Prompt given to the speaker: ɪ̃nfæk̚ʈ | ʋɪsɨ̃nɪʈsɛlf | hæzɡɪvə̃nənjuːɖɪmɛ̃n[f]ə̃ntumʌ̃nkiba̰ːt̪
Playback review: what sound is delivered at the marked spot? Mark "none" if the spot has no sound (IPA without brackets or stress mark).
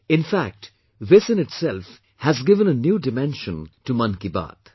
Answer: ʃ